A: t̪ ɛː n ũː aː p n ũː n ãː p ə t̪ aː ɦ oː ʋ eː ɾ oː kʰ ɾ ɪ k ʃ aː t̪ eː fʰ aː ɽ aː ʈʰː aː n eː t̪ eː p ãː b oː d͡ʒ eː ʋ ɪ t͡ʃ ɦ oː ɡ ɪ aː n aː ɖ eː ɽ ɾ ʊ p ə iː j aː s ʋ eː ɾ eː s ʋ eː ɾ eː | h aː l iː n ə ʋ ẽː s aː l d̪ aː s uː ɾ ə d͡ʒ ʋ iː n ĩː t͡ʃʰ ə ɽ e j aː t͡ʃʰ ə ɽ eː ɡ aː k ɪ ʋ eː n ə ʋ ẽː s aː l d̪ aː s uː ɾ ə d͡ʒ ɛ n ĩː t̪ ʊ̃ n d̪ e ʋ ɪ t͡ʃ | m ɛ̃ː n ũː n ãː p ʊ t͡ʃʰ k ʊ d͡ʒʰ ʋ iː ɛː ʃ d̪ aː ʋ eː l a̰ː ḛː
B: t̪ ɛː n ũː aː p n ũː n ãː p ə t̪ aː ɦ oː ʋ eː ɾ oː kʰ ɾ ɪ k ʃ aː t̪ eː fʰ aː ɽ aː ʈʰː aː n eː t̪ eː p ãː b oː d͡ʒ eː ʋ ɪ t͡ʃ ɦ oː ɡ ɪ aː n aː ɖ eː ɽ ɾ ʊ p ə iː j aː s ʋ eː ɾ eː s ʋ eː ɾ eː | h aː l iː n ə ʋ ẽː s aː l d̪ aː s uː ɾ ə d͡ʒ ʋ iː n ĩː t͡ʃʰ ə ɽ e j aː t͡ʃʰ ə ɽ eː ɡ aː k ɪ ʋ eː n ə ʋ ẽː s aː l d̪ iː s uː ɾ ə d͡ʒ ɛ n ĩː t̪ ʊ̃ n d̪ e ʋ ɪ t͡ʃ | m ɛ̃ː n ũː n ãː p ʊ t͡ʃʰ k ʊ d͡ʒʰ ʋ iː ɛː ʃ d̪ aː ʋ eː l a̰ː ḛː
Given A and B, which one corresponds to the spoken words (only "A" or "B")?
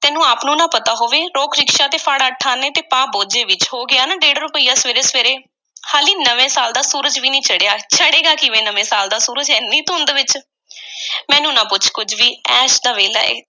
A